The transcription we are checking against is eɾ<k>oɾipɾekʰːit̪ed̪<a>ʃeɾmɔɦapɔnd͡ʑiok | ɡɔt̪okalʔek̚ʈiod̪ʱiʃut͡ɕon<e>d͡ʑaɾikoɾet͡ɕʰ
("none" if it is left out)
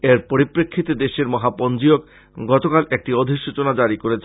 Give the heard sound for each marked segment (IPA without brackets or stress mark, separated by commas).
p, e, a